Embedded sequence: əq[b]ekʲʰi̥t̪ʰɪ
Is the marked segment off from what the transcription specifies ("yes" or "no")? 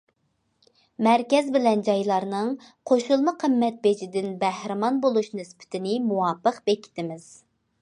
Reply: no